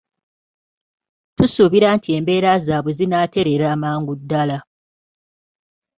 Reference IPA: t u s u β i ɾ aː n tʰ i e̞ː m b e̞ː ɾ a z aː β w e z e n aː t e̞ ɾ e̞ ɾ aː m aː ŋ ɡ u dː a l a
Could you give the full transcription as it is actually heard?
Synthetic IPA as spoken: t u s u β i ɾ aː n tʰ i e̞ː m b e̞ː ɾ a z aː β w e z i n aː t e̞ ɾ e̞ ɾ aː m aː ŋ ɡ u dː a l a

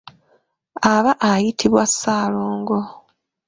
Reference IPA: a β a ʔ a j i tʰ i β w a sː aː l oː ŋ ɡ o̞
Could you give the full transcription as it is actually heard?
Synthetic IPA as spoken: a β a ʔ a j i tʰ i β w a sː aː l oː ŋ ɡ o̞

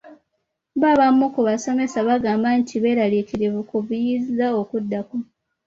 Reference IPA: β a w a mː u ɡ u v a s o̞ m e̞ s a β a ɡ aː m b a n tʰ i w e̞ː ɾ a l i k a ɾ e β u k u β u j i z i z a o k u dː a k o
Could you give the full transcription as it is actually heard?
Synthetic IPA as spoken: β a β a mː u k u β a s o̞ m e̞ s a β a ɡ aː m b a n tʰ i β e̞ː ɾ a l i k i ɾ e β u k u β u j i z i z a o k u dː a k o

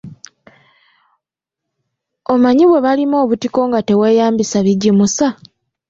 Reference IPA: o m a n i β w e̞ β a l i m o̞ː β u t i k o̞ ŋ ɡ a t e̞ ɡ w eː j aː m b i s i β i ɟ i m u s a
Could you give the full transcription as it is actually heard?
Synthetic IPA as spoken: o m a ɲ i β w e̞ β a l i m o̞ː β u t i k o̞ ŋ ɡ a t e̞ w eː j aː m b i s a β i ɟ i m u s a

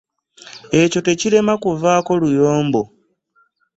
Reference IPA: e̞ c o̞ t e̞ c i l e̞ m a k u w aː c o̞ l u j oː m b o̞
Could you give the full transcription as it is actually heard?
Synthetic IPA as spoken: e̞ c o̞ t e̞ c i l e̞ m a k u v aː k o̞ l u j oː m b o̞

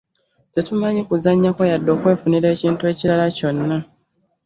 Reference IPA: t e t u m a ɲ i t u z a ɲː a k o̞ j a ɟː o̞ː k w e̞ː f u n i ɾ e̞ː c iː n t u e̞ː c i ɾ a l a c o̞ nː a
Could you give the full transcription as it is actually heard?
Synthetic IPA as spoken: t e t u m a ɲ i k u z a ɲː a k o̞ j a dː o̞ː k w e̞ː f u n i ɾ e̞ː c iː n t u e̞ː c i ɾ a l a c o̞ nː a

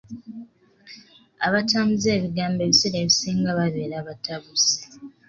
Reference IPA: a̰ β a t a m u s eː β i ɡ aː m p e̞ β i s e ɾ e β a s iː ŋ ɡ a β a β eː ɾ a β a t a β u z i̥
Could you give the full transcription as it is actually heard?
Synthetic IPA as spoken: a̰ β a t a m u z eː β i ɡ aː m b e̞ β i s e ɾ e β i s iː ŋ ɡ a β a β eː ɾ a β a t a β u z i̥

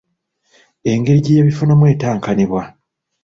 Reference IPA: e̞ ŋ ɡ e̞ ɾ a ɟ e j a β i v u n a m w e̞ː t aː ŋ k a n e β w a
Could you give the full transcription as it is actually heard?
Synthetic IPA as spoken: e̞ ŋ ɡ e̞ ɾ i ɟ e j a β i f u n a m w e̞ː t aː ŋ k a n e β w a

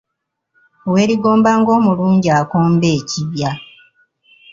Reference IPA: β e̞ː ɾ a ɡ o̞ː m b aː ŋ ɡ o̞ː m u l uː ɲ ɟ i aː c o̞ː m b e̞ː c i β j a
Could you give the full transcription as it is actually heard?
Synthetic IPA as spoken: w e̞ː ɾ i ɡ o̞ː m b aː ŋ ɡ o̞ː m u l uː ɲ ɟ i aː k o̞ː m b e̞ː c i β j a

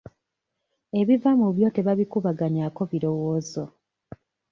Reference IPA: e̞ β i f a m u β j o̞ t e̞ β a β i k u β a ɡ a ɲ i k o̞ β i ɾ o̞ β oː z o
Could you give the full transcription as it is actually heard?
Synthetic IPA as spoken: e̞ β i v a m u β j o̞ t e̞ β a β i k u β a ɡ a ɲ a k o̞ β i ɾ o̞ w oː z o

